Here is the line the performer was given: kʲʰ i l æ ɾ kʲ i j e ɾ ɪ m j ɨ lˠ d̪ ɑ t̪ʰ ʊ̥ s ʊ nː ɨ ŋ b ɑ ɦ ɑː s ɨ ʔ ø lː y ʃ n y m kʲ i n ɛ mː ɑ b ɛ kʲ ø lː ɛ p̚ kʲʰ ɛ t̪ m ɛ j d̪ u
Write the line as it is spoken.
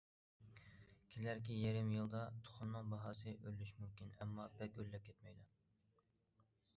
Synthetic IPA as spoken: kʲʰ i l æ ɾ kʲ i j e ɾ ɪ m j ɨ lˠ d̪ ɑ t̪ʰ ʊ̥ χ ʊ nː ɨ ŋ b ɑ ɦ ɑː s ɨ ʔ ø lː y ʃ m y m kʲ i n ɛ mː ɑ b ɛ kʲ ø lː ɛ p̚ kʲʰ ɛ t̪ m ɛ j d̪ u

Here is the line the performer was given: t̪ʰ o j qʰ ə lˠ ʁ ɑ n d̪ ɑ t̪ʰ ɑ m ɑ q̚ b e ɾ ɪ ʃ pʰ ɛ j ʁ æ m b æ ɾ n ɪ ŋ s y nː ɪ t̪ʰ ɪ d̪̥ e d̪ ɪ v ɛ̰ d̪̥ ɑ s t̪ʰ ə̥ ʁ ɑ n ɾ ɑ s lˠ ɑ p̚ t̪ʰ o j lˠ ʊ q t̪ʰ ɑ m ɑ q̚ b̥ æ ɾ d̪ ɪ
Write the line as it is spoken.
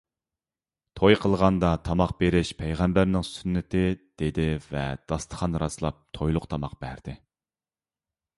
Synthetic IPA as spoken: t̪ʰ o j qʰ ə lˠ ʁ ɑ n d̪ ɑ t̪ʰ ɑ m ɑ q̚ b e ɾ ɪ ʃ pʰ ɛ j ʁ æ m b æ ɾ n ɪ ŋ s y nː ɪ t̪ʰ ɪ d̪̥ e d̪ ɪ v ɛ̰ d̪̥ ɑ s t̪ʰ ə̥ χ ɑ n ɾ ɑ s lˠ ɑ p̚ t̪ʰ o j lˠ ʊ q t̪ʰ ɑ m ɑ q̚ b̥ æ ɾ d̪ ɪ

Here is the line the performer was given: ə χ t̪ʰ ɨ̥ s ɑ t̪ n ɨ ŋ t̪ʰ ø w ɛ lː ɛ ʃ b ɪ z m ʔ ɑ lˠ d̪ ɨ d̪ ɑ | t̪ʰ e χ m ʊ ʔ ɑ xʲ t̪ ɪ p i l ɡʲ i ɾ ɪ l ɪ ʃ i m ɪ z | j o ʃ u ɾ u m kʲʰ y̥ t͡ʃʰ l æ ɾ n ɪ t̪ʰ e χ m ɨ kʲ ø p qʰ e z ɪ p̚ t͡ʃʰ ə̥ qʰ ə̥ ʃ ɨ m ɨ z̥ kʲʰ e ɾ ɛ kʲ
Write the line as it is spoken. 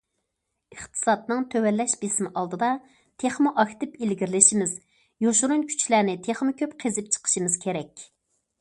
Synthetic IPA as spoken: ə χ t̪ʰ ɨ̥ s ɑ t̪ n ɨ ŋ t̪ʰ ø w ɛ lː ɛ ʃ b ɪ s m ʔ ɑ lˠ d̪ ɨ d̪ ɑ | t̪ʰ e χ m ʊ ʔ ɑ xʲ t̪ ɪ p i l ɡʲ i ɾ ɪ l ɪ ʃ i m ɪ z | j o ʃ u ɾ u n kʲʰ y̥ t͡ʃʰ l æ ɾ n ɪ t̪ʰ e χ m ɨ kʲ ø p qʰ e z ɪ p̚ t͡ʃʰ ə̥ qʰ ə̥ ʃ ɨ m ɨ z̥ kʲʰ e ɾ ɛ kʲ

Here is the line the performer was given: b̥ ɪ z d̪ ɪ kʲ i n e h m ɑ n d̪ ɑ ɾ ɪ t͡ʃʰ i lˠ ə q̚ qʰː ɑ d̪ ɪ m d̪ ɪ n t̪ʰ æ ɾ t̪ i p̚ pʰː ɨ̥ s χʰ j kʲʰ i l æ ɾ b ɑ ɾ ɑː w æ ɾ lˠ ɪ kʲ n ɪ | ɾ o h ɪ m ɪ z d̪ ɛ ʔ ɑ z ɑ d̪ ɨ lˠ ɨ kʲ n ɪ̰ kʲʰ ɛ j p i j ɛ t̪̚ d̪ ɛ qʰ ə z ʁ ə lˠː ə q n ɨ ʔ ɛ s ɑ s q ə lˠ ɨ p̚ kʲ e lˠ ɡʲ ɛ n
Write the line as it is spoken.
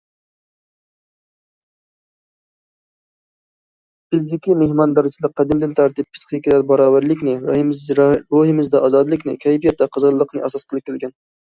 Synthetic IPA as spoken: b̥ ɪ z d̪ ɪ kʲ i m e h m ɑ n d̪ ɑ ɾ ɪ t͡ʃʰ i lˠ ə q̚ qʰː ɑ d̪ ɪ m d̪ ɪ n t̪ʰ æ ɾ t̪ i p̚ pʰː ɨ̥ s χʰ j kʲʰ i l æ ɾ b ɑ ɾ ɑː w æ ɾ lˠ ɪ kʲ n ɪ | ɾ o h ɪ m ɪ z d̪ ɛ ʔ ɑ z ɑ d̪ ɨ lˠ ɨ kʲ n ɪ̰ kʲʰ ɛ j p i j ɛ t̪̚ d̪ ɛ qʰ ə z ʁ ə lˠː ə q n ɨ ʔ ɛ s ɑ s q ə lˠ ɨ p̚ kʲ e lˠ ɡʲ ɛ n

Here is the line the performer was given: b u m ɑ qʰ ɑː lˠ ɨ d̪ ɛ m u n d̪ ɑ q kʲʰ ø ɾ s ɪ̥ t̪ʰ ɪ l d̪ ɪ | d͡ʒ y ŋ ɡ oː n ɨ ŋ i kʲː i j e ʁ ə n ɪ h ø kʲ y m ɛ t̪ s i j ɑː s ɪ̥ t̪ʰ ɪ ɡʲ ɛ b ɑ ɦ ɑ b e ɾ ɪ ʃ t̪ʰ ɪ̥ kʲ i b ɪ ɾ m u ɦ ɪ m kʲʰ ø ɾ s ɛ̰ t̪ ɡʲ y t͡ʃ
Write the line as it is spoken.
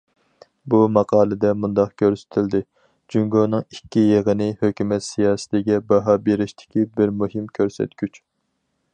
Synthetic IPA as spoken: b u m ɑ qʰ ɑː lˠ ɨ d̪ ɛ m u n d̪ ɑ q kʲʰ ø ɾ s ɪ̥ t̪ʰ ɪ l d̪ ɪ | d͡ʒ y ŋ ɡ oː n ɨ ŋ i kʲː i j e ʁ ə n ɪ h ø kʲ y m ɛ t̪ s i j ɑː s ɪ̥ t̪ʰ ɪ ɡʲ ɛ b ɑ ɦ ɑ b e ɾ ɪ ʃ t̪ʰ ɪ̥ kʲ i b ɪ ɾ m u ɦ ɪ m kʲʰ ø ɾ s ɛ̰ t̪ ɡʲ y t͡ʃ

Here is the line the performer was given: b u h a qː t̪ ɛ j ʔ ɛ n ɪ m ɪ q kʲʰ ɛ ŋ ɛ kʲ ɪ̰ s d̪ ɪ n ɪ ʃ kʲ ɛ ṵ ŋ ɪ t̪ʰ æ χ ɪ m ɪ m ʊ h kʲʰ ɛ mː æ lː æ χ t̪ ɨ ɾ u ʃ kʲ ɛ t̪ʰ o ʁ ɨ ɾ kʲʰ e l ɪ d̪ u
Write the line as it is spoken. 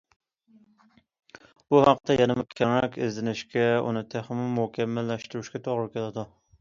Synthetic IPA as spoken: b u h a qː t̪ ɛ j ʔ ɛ n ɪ m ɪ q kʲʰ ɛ ŋ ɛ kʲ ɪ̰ z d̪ ɪ n ɪ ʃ kʲ ɛ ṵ n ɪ t̪ʰ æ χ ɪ m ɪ m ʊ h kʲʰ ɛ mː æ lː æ ʃ t̪ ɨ ɾ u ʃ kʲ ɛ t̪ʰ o ʁ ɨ ɾ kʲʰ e l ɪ d̪ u

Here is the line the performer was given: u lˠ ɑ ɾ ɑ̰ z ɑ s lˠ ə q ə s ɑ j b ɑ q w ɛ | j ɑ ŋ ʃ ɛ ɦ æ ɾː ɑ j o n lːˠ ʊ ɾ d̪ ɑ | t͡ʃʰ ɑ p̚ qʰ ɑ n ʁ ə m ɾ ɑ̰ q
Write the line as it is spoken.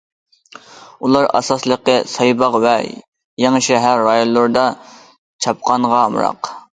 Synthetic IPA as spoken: u lˠ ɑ ɾ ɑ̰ s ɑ s lˠ ə q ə s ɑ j b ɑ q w ɛ | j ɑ ŋ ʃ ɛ ɦ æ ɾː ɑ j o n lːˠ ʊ ɾ d̪ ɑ | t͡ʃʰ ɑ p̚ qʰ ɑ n ʁ ɑ m ɾ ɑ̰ q

